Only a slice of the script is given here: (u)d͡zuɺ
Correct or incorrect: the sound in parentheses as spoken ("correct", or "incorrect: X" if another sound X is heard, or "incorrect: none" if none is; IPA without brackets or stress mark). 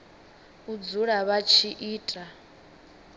correct